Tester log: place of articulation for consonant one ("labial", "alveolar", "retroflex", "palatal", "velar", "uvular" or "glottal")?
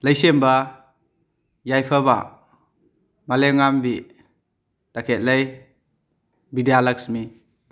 alveolar